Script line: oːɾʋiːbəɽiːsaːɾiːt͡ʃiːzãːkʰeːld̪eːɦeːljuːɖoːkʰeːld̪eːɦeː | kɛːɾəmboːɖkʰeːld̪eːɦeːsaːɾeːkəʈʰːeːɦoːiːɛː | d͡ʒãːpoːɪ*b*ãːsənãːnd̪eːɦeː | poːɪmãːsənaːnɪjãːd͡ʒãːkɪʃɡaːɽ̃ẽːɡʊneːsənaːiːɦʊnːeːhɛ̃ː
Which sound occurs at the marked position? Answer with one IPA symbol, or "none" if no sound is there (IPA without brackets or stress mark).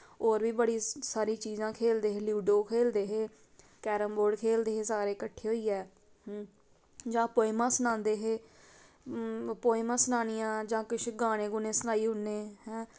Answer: m